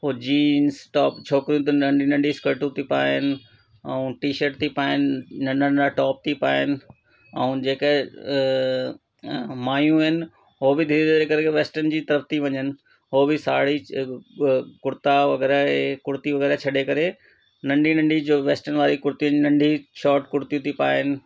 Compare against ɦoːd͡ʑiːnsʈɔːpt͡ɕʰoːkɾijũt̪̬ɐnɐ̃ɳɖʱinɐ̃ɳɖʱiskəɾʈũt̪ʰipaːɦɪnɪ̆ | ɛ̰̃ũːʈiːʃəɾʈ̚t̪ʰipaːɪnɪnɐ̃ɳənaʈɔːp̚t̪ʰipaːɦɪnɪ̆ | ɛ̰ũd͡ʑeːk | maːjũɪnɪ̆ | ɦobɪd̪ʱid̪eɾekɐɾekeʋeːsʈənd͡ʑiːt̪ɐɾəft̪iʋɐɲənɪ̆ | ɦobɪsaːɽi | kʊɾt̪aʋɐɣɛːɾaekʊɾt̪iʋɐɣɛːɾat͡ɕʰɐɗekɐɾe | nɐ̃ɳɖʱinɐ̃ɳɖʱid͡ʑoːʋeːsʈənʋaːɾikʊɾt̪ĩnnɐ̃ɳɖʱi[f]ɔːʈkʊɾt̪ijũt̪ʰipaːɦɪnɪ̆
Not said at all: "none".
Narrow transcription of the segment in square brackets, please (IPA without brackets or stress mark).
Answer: ʃ